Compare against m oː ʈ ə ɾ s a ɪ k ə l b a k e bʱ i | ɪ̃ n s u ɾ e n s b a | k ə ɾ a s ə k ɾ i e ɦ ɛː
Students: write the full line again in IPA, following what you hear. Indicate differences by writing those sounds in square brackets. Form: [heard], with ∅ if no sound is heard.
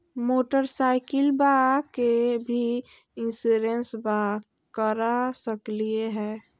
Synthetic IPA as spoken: m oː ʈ ə ɾ s a ɪ k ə l b a k e bʱ i | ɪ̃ n s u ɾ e n s b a | k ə ɾ a s ə k [l] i e ɦ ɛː

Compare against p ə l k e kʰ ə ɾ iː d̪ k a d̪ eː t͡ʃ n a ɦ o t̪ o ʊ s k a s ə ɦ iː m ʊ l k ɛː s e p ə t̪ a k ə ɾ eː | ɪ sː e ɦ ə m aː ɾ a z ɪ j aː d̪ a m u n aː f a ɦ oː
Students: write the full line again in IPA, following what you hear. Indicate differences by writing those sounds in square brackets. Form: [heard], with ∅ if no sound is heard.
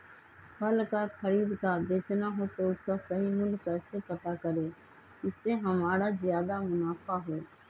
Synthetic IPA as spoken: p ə l k [a] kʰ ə ɾ iː d̪ k a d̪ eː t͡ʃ n a ɦ o t̪ o ʊ s k a s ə ɦ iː m ʊ l k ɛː s e p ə t̪ a k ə ɾ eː | ɪ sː e ɦ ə m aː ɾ a z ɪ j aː d̪ a m [ʊ] n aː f a ɦ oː

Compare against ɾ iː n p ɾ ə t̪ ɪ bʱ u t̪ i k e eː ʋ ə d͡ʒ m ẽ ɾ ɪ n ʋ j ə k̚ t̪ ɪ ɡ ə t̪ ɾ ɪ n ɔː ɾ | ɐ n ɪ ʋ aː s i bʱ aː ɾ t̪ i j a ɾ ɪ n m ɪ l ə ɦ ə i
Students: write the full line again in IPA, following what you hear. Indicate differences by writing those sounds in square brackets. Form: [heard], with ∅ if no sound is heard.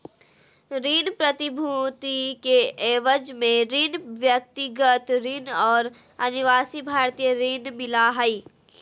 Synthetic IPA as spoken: ɾ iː n p ɾ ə t̪ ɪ bʱ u t̪ i k e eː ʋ ə d͡ʒ m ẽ ɾ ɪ n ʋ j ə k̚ t̪ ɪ ɡ ə t̪ ɾ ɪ n ɔː ɾ | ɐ n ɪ ʋ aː s i bʱ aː ɾ t̪ i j [ə] ɾ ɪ n m ɪ l [a] ɦ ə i

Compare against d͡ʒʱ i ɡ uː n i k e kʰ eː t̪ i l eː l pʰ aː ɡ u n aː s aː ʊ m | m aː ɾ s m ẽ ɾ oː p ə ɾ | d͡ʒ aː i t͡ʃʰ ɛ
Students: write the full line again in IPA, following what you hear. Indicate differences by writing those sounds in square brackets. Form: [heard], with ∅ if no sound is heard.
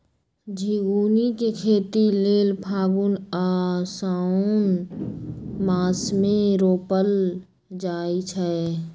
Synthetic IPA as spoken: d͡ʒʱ i ɡ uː n i k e kʰ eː t̪ i l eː l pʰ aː ɡ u n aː s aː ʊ [n] | m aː [∅] s m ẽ ɾ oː p ə [l] | d͡ʒ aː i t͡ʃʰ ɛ

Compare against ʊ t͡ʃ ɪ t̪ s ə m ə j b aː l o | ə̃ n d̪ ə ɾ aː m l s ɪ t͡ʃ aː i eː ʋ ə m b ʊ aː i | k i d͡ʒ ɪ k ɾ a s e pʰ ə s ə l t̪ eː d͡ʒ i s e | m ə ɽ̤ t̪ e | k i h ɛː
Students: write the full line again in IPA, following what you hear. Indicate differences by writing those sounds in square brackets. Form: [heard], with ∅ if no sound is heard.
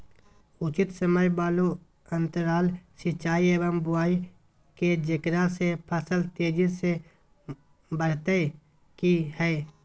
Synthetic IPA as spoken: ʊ t͡ʃ ɪ t̪ s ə m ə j b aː l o | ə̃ n [t̪] ə ɾ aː [∅] l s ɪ t͡ʃ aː i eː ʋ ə m b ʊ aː i | k [e] d͡ʒ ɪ k ɾ a s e pʰ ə s ə l t̪ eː d͡ʒ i s e | [b] ə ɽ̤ t̪ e | k i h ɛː

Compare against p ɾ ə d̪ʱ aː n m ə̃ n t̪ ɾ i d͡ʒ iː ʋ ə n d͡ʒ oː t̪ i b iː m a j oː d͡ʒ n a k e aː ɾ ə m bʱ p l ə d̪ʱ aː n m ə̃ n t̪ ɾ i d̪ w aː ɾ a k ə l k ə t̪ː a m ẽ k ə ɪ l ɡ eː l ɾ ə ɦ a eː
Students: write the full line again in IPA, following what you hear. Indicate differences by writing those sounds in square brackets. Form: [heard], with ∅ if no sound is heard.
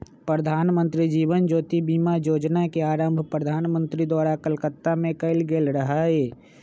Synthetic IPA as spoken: p ɾ ə d̪ʱ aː n m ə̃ n t̪ ɾ i d͡ʒ iː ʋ ə n d͡ʒ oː t̪ i b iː m a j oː d͡ʒ n a k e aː ɾ ə m bʱ p [ɾ] ə d̪ʱ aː n m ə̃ n t̪ ɾ i d̪ w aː ɾ a k ə l k ə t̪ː a m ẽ k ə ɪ l ɡ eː l ɾ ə ɦ a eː

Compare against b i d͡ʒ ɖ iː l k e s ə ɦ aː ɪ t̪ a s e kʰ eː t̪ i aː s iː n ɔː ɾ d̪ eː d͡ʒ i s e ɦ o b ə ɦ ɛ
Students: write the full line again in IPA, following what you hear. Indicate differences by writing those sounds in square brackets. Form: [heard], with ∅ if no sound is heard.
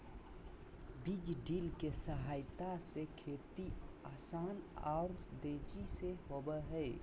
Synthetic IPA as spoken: b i d͡ʒ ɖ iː l k e s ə ɦ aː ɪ t̪ a s e kʰ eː t̪ i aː s [aː] n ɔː ɾ d̪ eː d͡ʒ i s e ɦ o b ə ɦ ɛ

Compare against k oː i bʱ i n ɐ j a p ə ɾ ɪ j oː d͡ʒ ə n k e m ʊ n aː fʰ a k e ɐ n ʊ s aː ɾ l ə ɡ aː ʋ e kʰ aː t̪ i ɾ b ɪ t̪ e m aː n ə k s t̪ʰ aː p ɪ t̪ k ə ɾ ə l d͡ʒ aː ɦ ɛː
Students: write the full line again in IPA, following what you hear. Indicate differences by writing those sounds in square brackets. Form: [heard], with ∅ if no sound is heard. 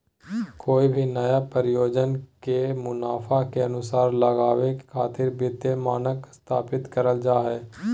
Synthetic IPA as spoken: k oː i bʱ i n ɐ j a p ə ɾ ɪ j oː d͡ʒ ə n k e m ʊ n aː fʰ a k e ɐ n ʊ s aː ɾ l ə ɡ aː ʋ e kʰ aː t̪ [ɪ] ɾ b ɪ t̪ e m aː n ə k s t̪ʰ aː p ɪ t̪ k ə ɾ ə l d͡ʒ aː ɦ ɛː

